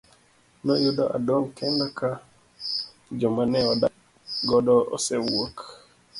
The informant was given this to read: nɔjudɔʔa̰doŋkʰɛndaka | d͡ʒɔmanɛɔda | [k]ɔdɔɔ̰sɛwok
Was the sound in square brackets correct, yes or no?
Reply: no